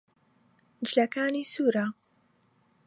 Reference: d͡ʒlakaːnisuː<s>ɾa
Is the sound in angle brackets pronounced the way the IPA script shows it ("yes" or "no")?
no